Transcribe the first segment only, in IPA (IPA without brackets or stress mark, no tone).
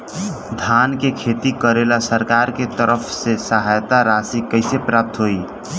d̪ʱ